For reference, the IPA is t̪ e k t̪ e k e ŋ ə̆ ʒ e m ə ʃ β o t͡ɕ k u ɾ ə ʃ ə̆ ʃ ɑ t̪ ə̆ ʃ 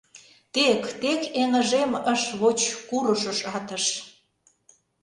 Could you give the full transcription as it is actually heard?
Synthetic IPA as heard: t̪ e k t̪ e k e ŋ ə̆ ʒ e m ə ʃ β o t͡ɕ k u ɾ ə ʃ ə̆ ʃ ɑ t̪ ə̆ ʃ